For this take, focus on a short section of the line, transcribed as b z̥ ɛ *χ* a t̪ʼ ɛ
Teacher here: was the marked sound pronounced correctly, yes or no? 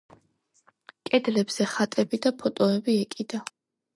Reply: yes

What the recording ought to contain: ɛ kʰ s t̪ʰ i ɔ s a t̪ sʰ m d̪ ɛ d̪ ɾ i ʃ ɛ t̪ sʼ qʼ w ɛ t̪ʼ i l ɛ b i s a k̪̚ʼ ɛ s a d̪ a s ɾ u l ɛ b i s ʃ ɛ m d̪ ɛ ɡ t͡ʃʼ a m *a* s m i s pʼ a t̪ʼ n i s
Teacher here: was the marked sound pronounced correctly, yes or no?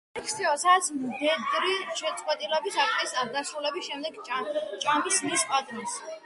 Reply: no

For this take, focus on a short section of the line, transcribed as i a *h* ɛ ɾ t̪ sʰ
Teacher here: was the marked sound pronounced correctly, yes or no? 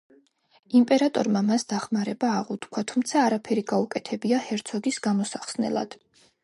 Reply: yes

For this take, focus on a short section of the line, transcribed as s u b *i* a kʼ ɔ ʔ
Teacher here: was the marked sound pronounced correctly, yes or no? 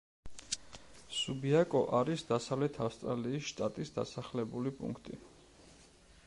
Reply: yes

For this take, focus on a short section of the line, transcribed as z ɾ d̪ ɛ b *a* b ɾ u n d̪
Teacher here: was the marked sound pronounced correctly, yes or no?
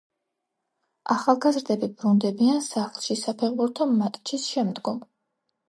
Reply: no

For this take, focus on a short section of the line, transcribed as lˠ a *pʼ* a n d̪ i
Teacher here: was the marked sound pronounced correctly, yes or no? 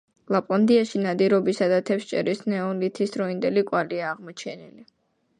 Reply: yes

